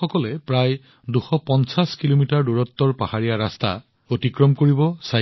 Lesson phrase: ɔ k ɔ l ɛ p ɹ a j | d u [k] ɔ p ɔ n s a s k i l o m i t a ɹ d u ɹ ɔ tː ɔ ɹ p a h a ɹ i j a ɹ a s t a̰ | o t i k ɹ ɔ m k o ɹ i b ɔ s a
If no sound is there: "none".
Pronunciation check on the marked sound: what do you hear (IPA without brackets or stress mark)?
x